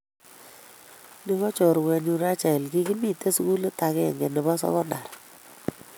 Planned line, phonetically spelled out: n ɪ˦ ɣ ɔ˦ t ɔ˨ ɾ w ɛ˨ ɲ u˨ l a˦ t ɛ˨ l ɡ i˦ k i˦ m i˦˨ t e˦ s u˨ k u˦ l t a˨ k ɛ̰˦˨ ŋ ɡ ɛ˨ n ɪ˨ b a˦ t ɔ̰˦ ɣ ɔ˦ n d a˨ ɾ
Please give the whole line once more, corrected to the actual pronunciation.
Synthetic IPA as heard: n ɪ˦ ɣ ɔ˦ t͡ʃ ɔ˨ ɾ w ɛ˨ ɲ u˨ ɾ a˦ t͡ʃ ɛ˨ l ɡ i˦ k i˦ m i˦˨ t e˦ s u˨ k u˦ l t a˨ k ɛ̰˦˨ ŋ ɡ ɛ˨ n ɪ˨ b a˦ s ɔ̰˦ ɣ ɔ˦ n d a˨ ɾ